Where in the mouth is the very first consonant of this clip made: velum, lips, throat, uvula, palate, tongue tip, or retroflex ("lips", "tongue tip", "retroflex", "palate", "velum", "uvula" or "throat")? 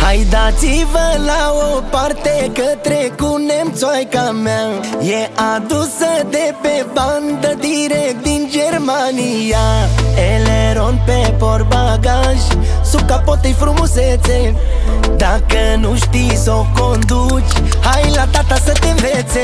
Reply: throat